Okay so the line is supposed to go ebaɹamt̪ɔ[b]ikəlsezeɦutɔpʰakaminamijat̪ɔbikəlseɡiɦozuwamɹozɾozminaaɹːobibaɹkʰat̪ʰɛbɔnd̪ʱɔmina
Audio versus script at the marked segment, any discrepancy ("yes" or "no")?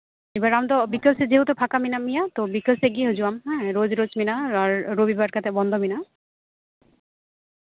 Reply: no